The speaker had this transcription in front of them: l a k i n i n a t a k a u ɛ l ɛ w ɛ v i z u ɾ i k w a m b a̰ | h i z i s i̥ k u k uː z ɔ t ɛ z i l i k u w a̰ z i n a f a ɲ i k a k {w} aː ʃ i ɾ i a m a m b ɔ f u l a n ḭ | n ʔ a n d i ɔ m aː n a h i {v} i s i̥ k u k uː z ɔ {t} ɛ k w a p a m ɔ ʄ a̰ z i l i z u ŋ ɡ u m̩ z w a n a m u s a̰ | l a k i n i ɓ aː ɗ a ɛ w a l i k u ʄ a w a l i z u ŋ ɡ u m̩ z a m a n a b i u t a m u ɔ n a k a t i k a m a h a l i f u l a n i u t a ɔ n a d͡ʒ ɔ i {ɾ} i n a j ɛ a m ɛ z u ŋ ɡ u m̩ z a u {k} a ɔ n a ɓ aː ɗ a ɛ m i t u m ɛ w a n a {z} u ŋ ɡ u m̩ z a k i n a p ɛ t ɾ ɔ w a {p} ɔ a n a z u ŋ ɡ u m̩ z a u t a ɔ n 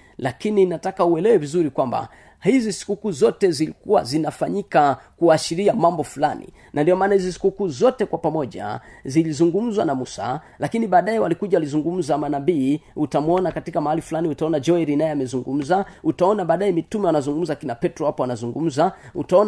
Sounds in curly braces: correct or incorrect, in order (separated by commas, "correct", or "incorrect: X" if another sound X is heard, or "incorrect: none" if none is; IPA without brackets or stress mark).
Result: incorrect: u, incorrect: z, correct, correct, incorrect: t, correct, correct